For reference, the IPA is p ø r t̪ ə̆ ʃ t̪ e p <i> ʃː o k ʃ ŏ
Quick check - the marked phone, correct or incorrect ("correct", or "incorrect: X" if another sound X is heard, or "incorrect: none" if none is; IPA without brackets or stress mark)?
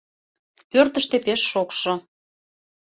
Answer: incorrect: e